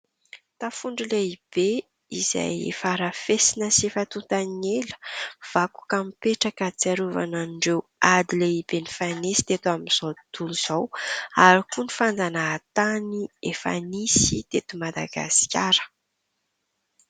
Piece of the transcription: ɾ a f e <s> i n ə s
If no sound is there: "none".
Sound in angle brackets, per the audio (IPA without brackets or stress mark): s